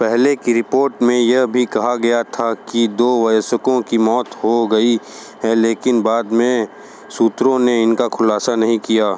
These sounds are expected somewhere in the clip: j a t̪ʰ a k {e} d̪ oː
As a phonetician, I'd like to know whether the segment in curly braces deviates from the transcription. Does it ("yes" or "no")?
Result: yes